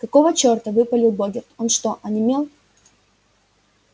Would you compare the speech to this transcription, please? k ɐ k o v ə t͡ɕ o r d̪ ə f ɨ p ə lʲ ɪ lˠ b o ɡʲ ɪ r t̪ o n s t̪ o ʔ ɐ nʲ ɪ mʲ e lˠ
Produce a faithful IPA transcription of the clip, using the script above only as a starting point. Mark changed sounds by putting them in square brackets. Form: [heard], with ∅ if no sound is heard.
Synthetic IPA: k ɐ k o v ə t͡ɕ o r [t̪] ə [v] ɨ p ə lʲ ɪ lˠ b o ɡʲ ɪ r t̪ o n [ʂ] t̪ o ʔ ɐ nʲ ɪ mʲ e lˠ